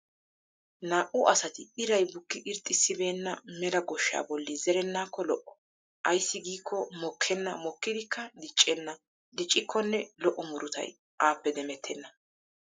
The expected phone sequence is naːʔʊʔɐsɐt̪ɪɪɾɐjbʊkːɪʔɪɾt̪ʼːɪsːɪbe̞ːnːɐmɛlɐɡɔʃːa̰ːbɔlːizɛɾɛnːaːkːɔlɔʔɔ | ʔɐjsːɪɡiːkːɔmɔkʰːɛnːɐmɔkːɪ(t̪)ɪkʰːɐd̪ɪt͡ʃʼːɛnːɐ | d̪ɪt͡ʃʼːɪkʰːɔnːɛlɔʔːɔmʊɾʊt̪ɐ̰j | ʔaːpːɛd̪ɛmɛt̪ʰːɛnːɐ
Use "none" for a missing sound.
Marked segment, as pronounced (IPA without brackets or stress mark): d̪